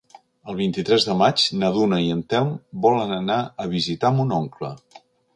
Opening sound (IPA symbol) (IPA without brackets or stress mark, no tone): ə